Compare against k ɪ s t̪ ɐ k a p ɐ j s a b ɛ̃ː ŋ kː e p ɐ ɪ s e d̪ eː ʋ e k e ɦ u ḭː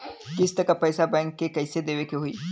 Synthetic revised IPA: k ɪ s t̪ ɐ k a p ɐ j s a b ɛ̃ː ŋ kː e k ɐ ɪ s e d̪ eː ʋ e k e ɦ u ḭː